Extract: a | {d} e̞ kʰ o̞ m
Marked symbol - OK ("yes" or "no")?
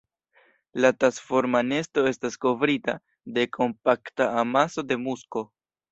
yes